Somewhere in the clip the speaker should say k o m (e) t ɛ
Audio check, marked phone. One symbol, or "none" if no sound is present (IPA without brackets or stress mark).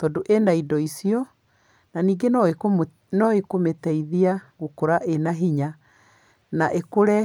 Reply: e